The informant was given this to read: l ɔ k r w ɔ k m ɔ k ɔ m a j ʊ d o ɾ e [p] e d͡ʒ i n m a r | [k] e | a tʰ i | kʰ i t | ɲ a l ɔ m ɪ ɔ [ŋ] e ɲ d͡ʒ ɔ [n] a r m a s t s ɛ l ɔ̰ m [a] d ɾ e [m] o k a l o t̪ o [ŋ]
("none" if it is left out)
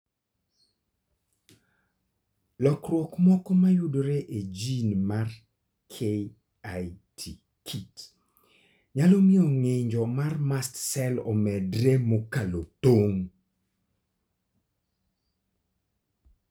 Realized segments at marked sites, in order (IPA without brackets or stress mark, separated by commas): ʔ, kʰ, ŋ, m, ɛ, m, ŋ